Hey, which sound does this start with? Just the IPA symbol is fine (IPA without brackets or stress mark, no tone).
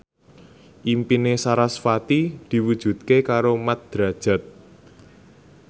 ʔ